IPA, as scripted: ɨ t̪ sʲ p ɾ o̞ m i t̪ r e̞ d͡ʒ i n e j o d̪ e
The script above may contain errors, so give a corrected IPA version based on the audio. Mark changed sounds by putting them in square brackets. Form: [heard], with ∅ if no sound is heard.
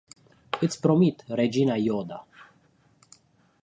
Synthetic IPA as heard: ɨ t̪ sʲ p ɾ o̞ m i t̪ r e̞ d͡ʒ i n [a] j o d̪ [a]

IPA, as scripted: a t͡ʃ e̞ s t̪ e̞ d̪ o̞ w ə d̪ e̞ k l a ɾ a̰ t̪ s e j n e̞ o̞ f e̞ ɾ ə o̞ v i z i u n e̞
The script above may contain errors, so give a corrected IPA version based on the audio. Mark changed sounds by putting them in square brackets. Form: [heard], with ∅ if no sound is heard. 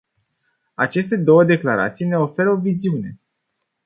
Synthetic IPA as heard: a t͡ʃ e̞ s t̪ e̞ d̪ o̞ w ə d̪ e̞ k l a ɾ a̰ t̪ s [i] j n e̞ o̞ f e̞ ɾ ə o̞ v i z i u n e̞

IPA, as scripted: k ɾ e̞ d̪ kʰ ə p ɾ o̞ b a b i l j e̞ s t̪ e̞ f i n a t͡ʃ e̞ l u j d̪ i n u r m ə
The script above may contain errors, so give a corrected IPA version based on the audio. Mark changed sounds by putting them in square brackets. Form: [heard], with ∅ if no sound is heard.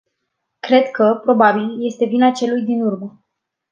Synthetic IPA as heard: k ɾ e̞ d̪ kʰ ə p ɾ o̞ b a b i l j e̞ s t̪ e̞ [v] i n a t͡ʃ e̞ l u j d̪ i n u r m ə

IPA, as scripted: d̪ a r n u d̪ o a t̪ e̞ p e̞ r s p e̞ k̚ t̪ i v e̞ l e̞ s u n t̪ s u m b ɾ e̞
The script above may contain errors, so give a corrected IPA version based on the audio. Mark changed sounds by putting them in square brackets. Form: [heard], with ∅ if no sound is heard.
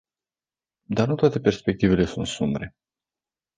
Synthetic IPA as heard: d̪ a r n u [t̪] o a t̪ e̞ p e̞ r s p e̞ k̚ t̪ i v e̞ l e̞ s u n t̪ s u m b ɾ e̞

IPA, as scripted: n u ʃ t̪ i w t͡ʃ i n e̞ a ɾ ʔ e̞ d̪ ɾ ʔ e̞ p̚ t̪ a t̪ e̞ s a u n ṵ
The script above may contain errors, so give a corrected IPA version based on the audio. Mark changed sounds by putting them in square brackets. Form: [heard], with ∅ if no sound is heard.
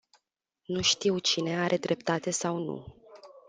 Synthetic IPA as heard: n u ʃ t̪ i w t͡ʃ i n e̞ a ɾ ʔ e̞ d̪ ɾ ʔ e̞ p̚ t̪ a t̪ e̞ s a [w] n ṵ

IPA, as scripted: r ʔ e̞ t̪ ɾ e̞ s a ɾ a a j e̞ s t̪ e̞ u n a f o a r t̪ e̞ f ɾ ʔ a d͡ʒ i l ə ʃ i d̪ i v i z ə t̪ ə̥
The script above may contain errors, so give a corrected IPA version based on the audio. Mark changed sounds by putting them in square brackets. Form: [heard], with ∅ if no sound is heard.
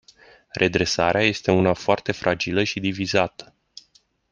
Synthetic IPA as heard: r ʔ e̞ [d̪] ɾ e̞ s a ɾ [e] a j e̞ s t̪ e̞ u n a f o a r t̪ e̞ f ɾ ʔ a d͡ʒ i l ə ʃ i d̪ i v i z [a] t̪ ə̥

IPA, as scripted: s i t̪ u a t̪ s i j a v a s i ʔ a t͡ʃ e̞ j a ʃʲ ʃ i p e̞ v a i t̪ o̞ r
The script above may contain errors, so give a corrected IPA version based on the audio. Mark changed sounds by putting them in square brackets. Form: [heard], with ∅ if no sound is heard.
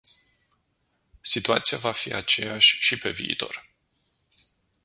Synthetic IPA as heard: s i t̪ u a t̪ s i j a v a [f] i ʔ a t͡ʃ e̞ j a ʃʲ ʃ i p e̞ v [i] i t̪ o̞ r

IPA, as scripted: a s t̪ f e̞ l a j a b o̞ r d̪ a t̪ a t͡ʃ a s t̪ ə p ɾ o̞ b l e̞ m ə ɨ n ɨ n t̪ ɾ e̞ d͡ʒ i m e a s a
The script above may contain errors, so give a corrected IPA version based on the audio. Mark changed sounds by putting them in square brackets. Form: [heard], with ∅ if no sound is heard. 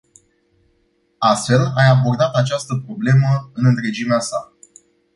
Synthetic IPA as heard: a s t̪ f e̞ l a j a b o̞ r d̪ a t̪ a t͡ʃ a s t̪ ə p ɾ o̞ b l e̞ m ə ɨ n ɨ n t̪ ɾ e̞ d͡ʒ i m e a s a

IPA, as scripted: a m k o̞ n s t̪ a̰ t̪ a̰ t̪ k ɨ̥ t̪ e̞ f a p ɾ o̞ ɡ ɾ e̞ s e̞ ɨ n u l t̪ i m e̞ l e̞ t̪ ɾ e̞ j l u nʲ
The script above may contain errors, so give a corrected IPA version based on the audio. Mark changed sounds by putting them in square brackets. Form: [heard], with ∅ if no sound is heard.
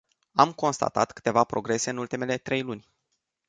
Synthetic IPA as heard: a m k o̞ n s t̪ a̰ t̪ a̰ t̪ k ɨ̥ t̪ e̞ [v] a p ɾ o̞ ɡ ɾ e̞ s e̞ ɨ n u l t̪ i m e̞ l e̞ t̪ ɾ e̞ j l u nʲ

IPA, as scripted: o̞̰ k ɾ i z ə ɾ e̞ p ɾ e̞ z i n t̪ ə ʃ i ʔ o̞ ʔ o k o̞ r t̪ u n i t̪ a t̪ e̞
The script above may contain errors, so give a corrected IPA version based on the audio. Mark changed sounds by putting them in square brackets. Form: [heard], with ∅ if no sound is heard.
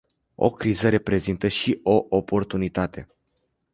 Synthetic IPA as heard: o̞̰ k ɾ i z ə ɾ e̞ p ɾ e̞ z i n t̪ ə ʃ i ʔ o̞ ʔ o [p] o̞ r t̪ u n i t̪ a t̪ e̞

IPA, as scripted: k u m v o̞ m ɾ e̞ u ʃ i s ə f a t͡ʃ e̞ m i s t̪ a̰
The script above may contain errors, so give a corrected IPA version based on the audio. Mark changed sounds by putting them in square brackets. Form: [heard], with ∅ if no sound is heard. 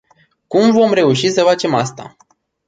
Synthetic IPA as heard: k u m v o̞ m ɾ e̞ u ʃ i s ə f a t͡ʃ e̞ m [a] s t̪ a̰

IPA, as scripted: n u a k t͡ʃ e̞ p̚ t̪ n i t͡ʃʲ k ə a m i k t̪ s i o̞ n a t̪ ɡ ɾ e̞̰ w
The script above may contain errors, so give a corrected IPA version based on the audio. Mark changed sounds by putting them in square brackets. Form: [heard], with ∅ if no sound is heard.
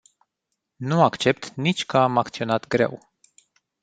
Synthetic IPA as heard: n u a k t͡ʃ e̞ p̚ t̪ n i t͡ʃʲ k ə a m [a] k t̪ s i o̞ n a t̪ ɡ ɾ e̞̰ w

